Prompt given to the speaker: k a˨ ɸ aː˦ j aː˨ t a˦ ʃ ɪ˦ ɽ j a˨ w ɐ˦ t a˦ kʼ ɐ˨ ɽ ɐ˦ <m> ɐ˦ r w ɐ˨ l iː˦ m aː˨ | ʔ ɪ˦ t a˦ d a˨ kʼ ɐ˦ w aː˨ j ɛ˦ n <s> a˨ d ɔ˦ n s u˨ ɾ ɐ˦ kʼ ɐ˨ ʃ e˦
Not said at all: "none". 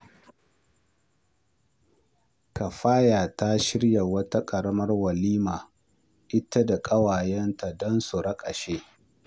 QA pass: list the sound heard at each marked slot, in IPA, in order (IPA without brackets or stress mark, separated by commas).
m, t